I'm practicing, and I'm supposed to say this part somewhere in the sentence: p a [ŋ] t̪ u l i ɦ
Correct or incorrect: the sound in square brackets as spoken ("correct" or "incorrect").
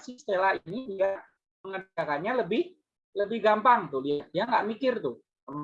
correct